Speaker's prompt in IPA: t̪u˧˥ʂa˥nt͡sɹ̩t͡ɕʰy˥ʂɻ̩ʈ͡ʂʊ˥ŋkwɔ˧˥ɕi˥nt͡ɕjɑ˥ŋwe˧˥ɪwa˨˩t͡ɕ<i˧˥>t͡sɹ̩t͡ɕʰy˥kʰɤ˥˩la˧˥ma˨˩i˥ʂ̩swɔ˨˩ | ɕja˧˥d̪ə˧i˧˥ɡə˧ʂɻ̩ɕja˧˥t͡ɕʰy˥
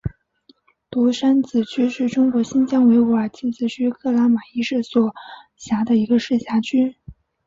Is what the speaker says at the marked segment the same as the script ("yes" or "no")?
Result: no